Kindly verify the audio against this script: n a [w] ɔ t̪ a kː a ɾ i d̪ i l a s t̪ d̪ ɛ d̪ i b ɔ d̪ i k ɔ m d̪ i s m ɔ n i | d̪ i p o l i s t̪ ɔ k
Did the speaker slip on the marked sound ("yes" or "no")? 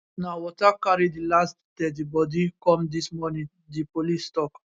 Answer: no